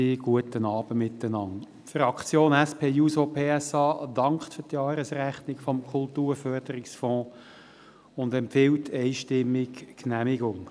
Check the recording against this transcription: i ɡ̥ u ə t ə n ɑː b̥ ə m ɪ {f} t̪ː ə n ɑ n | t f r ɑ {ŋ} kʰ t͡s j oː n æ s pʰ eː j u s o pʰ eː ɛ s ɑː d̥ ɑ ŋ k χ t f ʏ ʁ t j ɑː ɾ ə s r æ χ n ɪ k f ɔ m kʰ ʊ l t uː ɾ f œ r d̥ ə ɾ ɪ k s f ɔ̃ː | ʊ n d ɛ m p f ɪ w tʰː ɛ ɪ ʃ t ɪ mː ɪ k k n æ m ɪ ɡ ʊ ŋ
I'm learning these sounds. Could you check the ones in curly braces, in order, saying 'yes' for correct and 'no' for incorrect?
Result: no, no

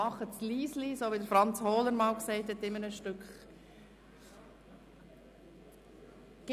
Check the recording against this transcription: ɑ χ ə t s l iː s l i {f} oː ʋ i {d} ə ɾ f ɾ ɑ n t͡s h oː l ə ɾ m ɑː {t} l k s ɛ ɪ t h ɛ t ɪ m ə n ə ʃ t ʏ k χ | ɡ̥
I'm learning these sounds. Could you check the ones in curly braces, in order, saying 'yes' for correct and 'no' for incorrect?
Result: no, yes, no

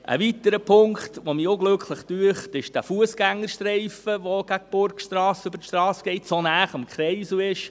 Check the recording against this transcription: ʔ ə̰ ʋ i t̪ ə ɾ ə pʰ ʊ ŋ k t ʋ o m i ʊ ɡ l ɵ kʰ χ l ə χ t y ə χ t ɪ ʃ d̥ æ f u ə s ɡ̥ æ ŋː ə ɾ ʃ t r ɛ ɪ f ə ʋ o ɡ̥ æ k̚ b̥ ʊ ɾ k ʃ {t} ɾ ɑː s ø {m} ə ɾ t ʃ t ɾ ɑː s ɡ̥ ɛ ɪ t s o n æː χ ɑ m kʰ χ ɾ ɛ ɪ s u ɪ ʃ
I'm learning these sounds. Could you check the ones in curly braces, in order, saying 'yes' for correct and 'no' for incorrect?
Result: yes, no

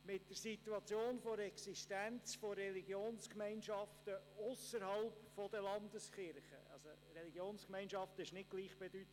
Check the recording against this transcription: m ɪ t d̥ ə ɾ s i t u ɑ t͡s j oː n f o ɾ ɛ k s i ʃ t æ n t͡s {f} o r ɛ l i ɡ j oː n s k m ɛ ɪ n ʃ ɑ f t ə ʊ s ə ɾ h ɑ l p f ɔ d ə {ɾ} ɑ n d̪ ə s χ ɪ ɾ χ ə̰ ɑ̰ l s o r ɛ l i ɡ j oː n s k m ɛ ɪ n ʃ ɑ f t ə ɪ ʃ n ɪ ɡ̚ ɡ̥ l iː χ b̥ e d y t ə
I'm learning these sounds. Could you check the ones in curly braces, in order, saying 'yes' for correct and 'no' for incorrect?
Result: yes, no

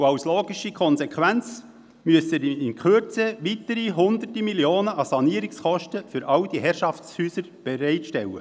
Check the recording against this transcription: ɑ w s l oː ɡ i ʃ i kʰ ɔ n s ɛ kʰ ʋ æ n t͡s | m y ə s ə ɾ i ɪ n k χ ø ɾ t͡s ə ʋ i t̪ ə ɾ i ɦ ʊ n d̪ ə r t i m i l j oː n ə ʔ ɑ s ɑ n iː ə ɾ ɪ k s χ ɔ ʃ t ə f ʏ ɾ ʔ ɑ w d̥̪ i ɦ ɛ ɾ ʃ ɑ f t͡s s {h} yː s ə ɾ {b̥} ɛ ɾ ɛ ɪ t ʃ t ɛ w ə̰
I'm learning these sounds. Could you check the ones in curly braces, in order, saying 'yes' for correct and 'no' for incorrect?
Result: yes, yes

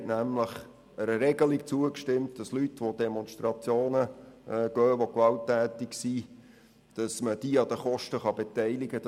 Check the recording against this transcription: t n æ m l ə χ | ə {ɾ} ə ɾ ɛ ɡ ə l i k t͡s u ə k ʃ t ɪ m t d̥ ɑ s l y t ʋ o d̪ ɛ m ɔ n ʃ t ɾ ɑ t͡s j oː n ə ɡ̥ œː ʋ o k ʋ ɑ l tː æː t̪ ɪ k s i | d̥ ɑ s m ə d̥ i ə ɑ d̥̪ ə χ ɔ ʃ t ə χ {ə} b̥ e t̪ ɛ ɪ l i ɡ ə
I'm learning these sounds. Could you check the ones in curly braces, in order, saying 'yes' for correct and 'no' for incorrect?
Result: yes, no

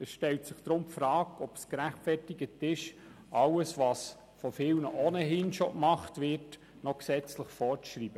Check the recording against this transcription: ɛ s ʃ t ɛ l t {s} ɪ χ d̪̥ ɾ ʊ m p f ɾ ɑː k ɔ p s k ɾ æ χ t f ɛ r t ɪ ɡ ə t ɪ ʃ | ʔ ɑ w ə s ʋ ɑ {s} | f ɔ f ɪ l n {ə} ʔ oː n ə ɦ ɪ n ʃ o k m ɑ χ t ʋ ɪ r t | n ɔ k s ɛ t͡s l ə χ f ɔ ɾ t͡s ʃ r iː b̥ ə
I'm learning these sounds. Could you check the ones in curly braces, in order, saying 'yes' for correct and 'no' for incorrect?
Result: yes, yes, yes

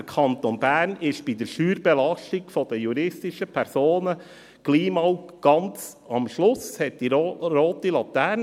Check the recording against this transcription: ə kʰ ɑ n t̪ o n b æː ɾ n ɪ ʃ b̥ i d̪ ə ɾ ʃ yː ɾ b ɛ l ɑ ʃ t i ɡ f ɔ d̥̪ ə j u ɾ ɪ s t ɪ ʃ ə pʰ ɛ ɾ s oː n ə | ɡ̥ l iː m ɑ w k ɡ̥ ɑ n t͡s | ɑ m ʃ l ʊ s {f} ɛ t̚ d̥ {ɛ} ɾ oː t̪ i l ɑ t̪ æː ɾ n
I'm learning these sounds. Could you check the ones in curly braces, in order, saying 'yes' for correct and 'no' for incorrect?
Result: no, no

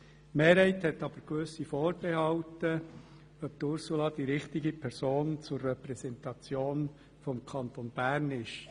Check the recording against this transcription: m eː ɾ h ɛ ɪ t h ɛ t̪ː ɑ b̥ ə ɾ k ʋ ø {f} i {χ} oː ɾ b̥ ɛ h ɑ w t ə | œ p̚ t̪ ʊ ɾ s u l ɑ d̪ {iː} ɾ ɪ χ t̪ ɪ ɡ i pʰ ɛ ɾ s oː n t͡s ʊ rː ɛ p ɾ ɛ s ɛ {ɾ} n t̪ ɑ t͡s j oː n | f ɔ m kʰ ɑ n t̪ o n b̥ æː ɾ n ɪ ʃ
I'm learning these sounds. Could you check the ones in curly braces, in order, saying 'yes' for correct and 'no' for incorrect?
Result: no, no, no, no

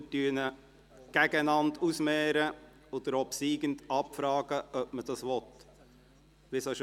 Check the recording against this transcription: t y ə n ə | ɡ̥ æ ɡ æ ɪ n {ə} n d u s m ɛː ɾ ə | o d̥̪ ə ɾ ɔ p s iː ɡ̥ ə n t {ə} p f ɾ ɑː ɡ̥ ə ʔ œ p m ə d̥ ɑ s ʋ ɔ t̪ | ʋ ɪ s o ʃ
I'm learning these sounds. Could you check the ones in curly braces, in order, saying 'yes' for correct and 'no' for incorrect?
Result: no, no

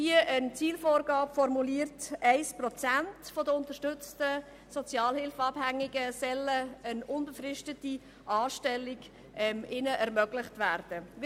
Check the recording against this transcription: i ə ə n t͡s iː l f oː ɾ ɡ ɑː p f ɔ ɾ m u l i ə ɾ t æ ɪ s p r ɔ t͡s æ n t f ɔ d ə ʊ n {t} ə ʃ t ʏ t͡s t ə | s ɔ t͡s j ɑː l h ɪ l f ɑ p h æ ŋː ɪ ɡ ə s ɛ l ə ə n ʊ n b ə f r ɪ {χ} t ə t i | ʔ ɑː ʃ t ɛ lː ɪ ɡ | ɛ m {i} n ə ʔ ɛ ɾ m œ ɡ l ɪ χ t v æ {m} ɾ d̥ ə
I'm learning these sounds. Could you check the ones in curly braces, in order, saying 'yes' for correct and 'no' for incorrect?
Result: yes, no, no, no

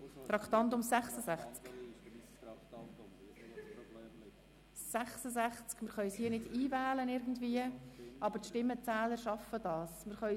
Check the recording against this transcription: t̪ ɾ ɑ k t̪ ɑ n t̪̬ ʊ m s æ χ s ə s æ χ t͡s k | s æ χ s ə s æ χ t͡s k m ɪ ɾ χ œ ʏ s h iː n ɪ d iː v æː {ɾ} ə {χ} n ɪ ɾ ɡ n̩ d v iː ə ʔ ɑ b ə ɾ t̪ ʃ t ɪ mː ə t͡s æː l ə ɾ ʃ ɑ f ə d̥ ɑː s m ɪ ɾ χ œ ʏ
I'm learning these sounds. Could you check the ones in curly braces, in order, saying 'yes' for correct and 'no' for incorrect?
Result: no, no

